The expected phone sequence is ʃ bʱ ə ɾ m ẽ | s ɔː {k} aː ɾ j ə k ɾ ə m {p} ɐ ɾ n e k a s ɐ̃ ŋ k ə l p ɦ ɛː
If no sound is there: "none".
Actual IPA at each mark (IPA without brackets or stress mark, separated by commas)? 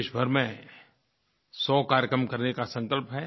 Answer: k, k